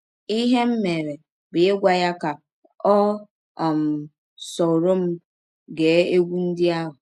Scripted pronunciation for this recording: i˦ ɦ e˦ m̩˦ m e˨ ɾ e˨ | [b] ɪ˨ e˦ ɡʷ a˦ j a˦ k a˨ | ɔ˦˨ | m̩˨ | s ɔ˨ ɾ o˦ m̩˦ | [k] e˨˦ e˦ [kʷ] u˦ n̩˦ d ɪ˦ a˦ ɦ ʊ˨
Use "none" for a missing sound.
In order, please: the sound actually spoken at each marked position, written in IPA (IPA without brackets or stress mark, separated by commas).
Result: b, ɡ, ɡʷ